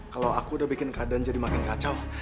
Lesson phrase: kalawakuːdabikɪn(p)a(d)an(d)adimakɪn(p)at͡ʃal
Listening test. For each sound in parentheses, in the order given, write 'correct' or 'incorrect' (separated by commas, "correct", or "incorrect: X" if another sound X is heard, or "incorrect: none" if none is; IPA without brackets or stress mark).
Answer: incorrect: k, correct, incorrect: d͡ʒ, incorrect: k